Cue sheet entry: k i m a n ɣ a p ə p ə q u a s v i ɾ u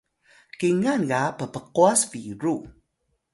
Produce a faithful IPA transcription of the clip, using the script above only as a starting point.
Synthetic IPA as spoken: k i ŋ a n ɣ a p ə p ə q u a s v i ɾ u